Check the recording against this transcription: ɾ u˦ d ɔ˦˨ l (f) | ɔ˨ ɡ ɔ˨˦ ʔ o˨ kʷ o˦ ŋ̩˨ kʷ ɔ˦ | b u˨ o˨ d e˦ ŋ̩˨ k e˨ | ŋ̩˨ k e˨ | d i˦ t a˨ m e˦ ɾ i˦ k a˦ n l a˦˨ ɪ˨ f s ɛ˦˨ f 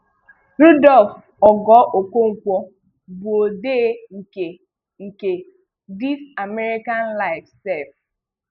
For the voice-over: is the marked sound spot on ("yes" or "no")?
yes